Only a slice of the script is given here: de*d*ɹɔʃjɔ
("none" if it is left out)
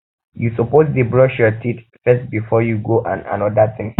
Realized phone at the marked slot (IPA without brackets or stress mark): b